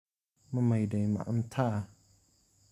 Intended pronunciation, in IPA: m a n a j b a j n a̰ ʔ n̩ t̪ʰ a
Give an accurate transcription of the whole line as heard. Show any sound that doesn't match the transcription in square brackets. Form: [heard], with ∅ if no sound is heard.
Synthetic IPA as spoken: m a [m] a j [d] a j [m] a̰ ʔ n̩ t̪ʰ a